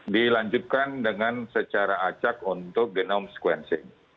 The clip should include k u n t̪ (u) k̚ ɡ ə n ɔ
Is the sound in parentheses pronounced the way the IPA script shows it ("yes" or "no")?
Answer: no